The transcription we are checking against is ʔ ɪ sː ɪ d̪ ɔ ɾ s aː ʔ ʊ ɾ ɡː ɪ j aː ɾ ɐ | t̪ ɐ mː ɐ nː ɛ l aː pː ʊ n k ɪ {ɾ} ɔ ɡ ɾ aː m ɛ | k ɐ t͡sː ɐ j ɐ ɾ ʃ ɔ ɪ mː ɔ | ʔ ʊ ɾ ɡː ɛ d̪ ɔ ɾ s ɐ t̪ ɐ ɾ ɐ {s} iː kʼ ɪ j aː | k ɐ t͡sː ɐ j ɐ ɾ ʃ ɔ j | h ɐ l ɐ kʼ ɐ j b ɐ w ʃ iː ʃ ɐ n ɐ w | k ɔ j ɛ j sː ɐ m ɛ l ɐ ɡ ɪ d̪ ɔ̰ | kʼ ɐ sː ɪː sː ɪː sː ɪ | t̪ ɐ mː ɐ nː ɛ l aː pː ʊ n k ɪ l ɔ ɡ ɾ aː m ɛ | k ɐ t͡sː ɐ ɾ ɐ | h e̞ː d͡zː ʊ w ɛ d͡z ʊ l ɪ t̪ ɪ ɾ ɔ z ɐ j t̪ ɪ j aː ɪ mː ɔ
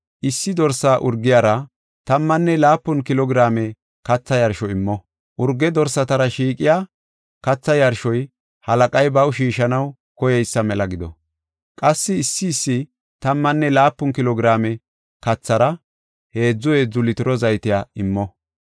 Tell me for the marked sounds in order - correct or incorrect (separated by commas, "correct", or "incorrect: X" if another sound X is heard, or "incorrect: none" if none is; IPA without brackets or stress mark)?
incorrect: l, incorrect: ʃ